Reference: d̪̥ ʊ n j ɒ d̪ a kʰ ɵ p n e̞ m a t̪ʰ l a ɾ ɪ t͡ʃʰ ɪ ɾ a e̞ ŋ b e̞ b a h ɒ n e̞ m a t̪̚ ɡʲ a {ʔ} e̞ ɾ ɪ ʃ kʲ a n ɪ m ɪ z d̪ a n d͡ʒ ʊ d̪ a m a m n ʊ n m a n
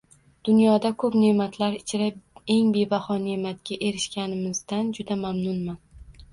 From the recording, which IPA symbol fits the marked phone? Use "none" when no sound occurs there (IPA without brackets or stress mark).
ʔ